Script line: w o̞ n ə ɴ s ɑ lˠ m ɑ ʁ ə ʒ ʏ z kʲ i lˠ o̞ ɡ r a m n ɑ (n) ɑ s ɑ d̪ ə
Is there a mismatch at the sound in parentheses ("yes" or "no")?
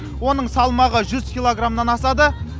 no